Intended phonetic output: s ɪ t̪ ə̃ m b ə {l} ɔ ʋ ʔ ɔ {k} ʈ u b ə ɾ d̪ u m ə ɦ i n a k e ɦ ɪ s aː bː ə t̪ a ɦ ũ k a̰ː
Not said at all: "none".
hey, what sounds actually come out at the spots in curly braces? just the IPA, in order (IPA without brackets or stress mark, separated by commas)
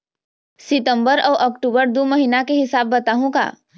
ɾ, k